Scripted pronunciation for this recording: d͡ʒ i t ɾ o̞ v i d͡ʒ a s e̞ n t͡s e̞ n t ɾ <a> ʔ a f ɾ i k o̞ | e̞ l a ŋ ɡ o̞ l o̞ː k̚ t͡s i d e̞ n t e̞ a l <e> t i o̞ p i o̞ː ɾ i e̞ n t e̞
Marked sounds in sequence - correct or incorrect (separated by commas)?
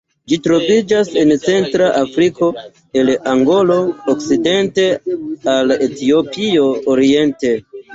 correct, correct